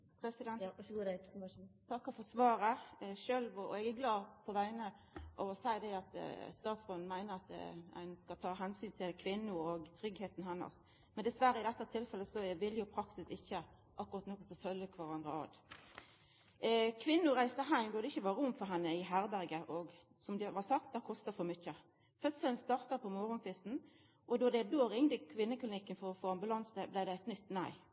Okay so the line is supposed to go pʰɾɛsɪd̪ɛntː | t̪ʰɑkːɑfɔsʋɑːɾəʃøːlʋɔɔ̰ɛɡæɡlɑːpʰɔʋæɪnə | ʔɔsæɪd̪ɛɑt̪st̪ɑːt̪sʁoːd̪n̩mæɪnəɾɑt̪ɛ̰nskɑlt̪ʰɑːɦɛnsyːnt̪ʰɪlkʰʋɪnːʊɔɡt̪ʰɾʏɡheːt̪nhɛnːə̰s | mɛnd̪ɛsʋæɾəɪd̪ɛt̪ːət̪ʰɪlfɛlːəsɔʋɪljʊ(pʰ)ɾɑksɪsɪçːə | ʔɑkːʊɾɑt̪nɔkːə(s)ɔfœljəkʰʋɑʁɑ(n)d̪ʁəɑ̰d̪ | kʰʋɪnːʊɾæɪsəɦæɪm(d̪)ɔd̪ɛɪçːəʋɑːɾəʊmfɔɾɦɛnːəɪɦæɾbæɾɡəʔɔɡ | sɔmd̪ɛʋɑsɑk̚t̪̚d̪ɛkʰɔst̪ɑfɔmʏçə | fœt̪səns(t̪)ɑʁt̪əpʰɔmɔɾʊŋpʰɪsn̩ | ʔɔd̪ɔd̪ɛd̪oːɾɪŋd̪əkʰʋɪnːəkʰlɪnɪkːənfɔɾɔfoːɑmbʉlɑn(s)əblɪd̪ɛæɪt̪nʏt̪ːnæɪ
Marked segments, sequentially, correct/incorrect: correct, correct, correct, correct, correct, correct

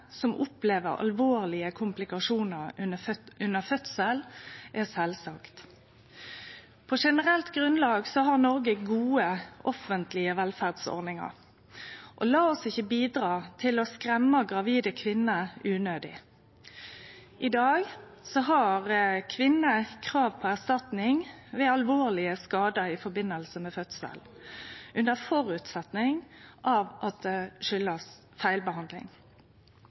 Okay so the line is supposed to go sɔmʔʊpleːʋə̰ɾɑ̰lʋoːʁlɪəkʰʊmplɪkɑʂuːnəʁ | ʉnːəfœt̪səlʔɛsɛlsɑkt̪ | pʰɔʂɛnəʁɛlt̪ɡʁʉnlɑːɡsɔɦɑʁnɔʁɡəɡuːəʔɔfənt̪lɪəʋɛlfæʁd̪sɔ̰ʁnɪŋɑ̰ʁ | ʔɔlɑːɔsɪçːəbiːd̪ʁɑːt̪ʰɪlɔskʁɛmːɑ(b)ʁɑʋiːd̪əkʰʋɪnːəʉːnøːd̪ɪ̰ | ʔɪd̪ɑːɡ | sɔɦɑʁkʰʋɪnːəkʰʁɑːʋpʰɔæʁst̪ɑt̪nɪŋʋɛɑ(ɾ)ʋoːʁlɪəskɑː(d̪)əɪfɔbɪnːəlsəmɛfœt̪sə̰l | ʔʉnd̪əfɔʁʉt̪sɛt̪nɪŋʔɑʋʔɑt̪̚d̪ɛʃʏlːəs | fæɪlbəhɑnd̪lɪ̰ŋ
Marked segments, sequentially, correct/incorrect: incorrect, incorrect, correct

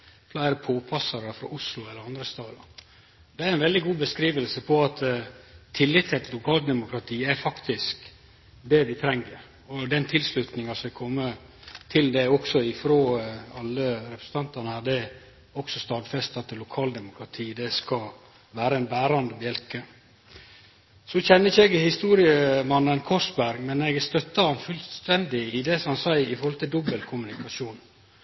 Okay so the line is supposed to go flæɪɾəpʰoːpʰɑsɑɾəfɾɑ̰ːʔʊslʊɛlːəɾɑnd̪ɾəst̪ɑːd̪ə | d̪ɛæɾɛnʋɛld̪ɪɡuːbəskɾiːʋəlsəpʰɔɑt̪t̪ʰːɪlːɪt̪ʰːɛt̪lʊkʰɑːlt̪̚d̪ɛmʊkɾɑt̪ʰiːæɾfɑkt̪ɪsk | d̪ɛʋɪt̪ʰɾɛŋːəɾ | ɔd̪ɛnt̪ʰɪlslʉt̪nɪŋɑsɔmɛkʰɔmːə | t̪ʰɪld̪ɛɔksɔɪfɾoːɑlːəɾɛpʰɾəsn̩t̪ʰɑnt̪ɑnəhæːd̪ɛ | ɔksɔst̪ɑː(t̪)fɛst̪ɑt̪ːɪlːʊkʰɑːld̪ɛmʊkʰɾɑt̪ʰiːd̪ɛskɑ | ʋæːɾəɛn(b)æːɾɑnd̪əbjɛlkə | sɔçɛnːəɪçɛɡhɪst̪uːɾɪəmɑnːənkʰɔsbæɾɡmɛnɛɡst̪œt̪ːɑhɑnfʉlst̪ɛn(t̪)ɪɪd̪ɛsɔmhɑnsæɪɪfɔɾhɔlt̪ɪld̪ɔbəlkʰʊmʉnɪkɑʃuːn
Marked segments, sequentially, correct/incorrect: incorrect, correct, incorrect

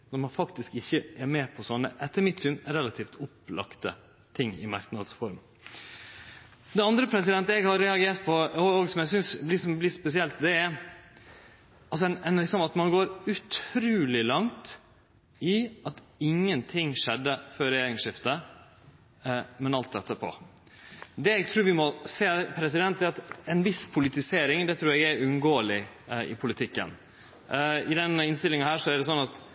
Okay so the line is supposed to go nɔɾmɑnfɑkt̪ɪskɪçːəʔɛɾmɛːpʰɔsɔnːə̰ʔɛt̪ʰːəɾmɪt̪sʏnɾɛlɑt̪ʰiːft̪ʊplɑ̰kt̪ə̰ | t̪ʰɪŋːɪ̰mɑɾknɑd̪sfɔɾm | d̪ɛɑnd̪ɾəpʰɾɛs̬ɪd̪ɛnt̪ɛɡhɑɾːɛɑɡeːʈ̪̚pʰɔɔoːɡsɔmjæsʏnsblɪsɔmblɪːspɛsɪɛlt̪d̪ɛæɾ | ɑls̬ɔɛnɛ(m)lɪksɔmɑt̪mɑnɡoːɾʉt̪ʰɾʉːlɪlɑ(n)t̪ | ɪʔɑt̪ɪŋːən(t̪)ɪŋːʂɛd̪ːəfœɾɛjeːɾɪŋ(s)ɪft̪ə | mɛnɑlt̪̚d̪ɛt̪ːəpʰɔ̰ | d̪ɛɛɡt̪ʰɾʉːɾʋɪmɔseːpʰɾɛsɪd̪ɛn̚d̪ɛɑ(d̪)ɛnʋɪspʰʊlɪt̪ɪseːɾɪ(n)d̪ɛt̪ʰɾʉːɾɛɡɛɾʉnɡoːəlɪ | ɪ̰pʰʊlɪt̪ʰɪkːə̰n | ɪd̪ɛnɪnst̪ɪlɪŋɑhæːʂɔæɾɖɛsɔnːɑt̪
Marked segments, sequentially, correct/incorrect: incorrect, incorrect, incorrect, incorrect, incorrect, incorrect

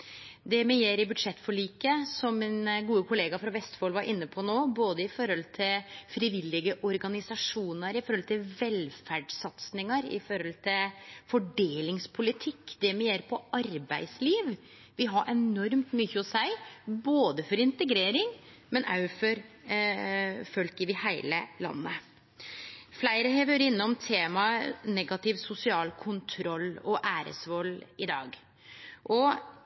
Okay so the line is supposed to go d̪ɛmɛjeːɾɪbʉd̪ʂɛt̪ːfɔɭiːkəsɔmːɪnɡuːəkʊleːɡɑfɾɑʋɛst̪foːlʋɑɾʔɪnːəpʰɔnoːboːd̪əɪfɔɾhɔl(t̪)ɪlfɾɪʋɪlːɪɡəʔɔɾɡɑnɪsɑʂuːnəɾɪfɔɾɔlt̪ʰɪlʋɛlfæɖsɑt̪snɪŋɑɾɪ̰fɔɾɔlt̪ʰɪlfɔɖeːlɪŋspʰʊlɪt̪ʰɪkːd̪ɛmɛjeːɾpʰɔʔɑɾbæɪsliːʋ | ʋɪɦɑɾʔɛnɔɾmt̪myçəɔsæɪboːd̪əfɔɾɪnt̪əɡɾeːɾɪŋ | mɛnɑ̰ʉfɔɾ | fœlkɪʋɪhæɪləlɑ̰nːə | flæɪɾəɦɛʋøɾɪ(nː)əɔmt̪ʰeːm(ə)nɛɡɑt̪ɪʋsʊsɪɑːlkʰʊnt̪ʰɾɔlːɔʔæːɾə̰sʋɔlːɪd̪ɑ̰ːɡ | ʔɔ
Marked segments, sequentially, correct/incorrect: incorrect, correct, incorrect

